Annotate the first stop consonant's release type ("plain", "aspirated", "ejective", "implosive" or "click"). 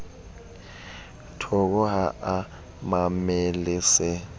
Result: aspirated